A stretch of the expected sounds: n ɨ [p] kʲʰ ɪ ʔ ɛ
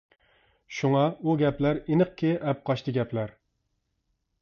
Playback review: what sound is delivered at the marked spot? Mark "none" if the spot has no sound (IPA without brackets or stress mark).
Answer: q